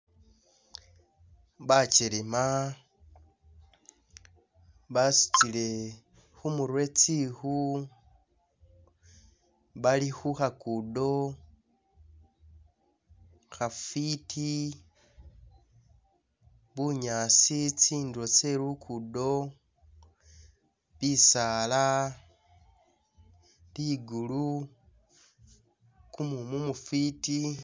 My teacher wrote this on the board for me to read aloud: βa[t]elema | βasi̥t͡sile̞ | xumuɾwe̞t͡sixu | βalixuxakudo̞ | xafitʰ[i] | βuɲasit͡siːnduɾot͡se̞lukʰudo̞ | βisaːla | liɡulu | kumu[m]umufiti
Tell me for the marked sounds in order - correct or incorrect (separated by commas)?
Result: incorrect, correct, correct